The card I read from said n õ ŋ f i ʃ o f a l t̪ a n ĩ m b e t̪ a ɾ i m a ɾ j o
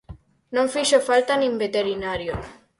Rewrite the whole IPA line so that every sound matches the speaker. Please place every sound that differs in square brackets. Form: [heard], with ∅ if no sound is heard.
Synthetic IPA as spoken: n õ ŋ f i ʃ o f a l t̪ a n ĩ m b e t̪ [e] ɾ i [n] a ɾ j o